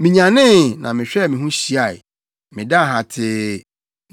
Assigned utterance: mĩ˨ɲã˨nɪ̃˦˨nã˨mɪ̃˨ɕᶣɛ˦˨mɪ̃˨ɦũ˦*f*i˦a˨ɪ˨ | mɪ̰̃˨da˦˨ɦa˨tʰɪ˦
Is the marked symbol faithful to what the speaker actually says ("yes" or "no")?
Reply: no